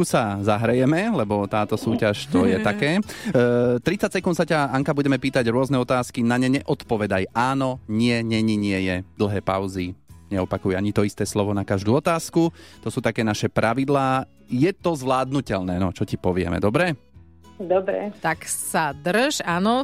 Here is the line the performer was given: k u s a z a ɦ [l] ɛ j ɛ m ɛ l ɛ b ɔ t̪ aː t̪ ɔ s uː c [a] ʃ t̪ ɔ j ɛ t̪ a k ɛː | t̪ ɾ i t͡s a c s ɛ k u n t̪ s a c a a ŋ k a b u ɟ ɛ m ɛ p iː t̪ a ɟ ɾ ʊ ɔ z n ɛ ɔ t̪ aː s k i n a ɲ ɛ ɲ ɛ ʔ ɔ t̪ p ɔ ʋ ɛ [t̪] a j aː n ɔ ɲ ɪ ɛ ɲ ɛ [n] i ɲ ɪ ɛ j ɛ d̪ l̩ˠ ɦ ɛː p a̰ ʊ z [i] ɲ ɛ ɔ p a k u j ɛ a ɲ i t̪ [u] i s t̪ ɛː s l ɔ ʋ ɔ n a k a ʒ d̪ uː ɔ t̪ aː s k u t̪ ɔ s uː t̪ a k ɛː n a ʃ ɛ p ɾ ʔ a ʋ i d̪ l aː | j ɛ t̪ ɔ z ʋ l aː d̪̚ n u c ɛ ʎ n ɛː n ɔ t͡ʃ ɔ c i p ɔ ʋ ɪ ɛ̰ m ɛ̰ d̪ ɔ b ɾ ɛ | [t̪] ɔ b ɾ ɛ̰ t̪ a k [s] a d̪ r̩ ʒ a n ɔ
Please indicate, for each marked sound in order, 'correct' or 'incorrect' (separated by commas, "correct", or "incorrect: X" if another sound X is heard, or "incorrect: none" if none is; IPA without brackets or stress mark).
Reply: incorrect: ɾ, correct, incorrect: d̪, incorrect: ɲ, correct, incorrect: ɔ, incorrect: d̪, correct